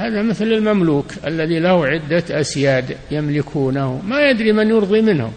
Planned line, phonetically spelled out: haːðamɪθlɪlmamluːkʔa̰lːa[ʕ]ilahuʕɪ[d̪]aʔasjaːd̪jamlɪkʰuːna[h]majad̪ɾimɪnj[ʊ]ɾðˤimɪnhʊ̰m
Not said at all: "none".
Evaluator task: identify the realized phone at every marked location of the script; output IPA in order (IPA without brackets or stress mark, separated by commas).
ð, d̪ː, h, ʊ